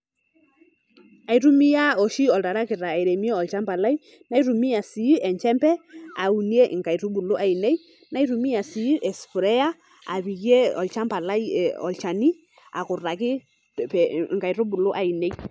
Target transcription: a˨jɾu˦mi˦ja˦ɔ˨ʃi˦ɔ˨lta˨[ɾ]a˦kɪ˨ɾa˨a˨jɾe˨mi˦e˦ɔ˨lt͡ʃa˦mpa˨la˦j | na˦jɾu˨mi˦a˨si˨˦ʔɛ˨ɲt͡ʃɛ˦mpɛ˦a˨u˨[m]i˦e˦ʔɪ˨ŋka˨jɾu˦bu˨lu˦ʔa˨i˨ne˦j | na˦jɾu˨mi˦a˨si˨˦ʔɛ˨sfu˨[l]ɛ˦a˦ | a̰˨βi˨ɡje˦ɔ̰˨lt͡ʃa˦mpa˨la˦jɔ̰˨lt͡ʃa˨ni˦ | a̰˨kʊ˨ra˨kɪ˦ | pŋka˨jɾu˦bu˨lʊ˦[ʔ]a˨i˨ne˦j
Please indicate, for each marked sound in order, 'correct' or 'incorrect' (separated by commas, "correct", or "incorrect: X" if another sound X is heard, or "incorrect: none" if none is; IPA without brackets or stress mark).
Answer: correct, incorrect: n, incorrect: ɾ, correct